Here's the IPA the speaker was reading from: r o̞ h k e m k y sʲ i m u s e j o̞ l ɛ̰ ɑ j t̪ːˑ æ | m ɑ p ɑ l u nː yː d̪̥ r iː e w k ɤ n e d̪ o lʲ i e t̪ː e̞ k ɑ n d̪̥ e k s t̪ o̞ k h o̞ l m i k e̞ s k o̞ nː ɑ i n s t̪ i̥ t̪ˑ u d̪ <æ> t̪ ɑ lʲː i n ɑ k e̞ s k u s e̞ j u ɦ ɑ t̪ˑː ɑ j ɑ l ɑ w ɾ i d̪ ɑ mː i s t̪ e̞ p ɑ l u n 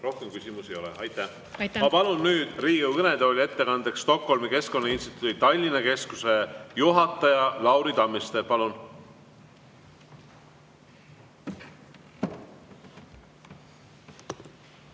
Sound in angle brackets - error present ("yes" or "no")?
yes